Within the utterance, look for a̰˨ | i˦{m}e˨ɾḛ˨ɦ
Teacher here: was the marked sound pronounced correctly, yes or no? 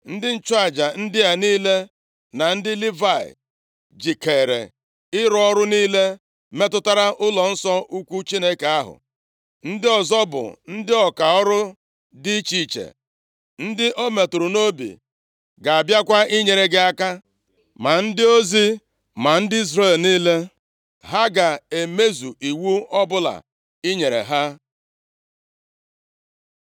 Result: no